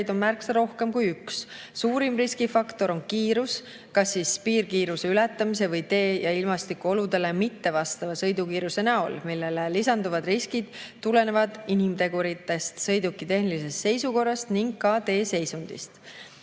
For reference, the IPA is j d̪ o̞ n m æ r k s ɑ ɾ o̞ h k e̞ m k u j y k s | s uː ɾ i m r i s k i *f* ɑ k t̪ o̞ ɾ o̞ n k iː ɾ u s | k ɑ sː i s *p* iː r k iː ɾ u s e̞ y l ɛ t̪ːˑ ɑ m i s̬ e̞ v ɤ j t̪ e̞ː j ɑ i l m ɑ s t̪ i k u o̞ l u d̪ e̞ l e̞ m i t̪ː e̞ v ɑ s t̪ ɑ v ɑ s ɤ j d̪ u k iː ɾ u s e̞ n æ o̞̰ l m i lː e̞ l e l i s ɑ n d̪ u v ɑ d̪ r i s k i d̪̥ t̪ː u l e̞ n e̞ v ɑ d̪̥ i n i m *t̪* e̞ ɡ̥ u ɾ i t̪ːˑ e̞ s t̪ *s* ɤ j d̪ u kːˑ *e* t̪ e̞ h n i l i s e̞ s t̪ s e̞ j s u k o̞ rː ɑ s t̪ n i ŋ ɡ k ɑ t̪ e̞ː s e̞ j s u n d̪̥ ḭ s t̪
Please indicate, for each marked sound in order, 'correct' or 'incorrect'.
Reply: correct, correct, correct, correct, incorrect: i

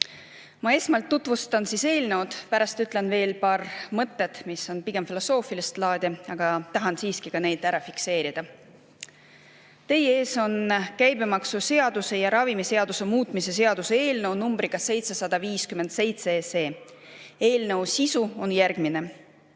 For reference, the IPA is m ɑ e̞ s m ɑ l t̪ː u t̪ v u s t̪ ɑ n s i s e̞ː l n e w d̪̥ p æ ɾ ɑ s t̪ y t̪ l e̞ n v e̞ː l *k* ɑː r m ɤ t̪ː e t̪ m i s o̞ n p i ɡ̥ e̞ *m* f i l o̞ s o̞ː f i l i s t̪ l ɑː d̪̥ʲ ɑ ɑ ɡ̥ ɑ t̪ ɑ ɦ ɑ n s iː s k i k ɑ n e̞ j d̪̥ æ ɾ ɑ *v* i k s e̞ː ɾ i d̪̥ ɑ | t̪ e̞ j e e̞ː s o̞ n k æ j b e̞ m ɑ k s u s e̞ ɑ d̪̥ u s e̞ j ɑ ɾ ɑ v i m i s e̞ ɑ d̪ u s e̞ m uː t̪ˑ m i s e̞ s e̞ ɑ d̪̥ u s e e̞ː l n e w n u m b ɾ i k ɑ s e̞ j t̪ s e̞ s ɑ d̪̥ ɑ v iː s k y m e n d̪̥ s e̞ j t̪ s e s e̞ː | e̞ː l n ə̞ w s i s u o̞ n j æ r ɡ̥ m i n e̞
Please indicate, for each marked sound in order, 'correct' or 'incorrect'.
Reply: incorrect: p, correct, incorrect: f

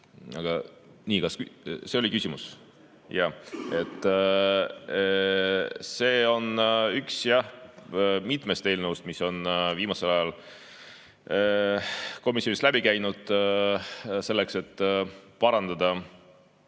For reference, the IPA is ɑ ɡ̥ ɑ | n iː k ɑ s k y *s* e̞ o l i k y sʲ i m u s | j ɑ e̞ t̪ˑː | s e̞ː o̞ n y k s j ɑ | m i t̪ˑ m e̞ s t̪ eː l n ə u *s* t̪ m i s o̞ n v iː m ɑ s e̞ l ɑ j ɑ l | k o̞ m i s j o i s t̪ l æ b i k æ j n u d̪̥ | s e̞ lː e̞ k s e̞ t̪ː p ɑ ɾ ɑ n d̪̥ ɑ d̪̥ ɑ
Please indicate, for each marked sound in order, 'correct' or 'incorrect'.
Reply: correct, correct

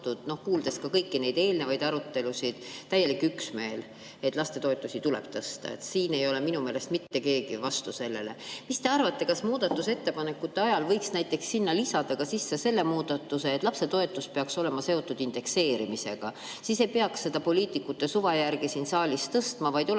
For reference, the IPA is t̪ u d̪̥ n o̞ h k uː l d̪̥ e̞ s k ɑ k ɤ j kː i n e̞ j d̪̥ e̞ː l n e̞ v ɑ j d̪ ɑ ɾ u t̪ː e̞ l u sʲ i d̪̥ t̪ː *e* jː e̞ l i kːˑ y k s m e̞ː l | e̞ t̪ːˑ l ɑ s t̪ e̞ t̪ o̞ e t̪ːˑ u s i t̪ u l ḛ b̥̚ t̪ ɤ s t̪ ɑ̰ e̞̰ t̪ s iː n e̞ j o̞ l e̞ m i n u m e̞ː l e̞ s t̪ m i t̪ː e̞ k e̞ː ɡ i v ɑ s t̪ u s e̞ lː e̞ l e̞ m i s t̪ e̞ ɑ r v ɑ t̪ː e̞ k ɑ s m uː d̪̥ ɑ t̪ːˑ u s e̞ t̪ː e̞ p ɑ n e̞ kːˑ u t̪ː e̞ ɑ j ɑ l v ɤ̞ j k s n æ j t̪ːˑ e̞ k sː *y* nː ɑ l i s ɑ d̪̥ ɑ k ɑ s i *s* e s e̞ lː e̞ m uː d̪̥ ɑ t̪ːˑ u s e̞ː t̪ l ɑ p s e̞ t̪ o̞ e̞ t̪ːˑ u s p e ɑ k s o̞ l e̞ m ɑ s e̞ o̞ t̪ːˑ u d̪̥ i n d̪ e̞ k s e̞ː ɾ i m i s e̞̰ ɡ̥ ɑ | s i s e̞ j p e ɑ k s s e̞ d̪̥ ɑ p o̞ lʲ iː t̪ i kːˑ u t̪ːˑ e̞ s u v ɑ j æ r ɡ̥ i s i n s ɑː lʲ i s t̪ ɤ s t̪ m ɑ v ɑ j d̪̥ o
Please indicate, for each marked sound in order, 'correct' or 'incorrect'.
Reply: incorrect: æ, incorrect: i, incorrect: sː

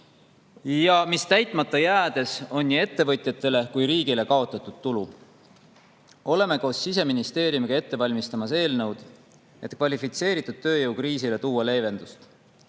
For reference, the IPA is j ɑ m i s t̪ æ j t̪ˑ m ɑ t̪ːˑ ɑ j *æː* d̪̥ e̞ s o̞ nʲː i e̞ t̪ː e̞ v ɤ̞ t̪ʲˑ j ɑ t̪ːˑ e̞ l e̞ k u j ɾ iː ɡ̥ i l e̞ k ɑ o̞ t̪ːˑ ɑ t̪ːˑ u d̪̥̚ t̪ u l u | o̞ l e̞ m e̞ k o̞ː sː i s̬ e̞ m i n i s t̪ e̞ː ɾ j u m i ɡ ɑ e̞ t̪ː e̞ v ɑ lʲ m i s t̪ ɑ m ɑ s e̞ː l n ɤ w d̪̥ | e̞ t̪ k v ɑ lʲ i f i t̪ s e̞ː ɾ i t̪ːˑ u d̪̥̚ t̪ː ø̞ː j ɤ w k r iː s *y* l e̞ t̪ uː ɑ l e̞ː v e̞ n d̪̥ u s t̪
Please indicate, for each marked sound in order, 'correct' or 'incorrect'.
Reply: correct, incorrect: i

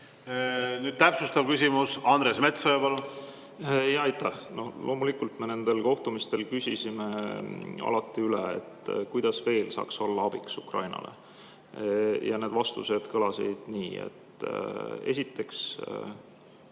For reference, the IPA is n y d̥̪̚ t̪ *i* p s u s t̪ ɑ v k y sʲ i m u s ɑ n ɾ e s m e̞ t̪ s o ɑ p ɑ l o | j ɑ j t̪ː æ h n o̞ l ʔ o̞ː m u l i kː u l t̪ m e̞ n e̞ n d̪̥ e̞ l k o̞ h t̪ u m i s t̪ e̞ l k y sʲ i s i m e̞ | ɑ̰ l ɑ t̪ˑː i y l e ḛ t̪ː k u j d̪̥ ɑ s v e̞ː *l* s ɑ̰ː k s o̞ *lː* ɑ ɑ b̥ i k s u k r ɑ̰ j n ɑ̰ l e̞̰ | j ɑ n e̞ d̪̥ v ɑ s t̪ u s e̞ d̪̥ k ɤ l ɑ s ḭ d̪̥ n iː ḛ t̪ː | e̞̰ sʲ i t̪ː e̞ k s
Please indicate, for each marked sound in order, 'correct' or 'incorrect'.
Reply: incorrect: æ, correct, correct

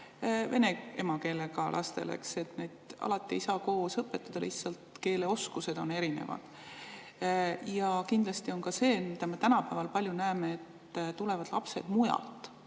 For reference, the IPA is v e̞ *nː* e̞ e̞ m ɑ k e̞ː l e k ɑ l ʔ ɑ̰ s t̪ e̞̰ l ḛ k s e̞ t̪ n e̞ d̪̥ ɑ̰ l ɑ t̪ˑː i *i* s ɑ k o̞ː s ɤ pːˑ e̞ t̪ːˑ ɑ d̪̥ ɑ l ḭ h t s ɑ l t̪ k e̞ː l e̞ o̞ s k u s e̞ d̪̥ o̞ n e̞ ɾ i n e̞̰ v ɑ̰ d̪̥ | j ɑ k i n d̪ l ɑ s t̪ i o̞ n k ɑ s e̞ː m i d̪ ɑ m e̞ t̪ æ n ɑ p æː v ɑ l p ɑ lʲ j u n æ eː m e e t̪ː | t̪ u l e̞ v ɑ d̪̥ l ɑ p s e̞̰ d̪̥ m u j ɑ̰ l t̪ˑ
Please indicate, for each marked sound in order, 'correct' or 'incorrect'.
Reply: incorrect: n, correct

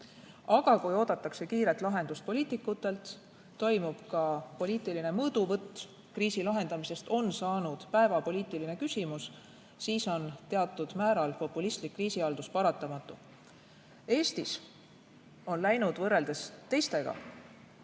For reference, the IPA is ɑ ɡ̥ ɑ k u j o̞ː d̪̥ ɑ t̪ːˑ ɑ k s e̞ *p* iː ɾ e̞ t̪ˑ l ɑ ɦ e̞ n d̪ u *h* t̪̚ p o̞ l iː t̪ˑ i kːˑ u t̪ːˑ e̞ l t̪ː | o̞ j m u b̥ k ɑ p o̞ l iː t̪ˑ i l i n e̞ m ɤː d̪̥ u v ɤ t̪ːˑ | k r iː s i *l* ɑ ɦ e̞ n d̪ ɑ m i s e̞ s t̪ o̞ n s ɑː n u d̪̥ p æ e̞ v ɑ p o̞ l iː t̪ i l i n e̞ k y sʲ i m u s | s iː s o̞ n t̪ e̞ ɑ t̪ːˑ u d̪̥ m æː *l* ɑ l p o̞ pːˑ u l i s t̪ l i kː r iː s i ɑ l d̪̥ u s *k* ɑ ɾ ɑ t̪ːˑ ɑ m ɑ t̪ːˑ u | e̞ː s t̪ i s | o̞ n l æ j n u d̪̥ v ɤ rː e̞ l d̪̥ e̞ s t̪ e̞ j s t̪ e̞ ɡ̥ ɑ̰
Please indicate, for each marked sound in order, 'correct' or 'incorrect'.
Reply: incorrect: k, incorrect: s, correct, incorrect: ɾ, incorrect: p

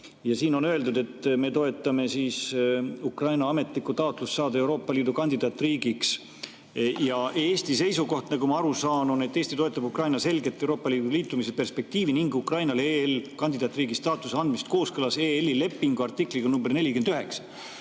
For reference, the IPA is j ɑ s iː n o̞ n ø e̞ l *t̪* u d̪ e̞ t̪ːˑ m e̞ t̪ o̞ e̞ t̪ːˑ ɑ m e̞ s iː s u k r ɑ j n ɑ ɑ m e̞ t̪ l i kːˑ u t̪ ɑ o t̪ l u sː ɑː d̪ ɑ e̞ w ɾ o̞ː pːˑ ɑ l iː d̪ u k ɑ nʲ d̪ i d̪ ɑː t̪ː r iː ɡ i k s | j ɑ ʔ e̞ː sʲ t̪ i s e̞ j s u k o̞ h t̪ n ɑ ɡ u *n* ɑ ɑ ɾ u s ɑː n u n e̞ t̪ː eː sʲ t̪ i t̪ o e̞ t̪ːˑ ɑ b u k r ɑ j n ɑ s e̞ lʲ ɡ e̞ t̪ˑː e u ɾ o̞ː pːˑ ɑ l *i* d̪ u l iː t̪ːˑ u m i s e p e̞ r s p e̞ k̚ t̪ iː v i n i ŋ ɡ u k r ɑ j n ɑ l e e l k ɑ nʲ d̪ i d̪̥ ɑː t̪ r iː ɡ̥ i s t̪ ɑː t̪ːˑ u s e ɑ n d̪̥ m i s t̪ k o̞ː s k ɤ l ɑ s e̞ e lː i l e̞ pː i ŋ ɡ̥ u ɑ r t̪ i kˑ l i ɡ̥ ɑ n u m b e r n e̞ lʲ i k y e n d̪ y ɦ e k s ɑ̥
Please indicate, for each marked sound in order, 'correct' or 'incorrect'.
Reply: incorrect: d̪, incorrect: m, incorrect: iː

